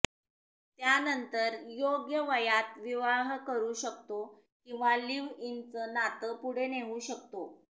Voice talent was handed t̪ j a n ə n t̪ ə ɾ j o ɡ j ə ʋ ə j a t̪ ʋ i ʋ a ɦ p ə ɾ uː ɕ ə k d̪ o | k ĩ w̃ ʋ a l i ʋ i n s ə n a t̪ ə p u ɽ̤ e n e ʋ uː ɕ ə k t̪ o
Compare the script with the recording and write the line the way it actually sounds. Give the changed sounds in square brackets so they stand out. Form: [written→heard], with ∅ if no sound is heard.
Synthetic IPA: t̪ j a n ə n t̪ ə ɾ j o ɡ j ə ʋ ə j a t̪ ʋ i ʋ a ɦ [p→k] ə ɾ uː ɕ ə k [d̪→t̪] o | k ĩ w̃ ʋ a l i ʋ i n [s→t͡s] ə n a t̪ ə p u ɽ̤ e n e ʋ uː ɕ ə k t̪ o